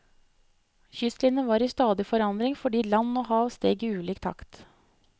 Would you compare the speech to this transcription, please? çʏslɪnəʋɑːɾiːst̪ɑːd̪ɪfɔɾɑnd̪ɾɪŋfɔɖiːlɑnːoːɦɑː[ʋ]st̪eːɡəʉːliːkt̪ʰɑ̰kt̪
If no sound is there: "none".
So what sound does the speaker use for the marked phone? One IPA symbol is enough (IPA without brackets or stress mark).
ʋ